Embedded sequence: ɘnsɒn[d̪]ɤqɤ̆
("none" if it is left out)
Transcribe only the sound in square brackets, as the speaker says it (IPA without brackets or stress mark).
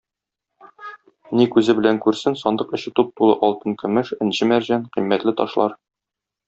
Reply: d̪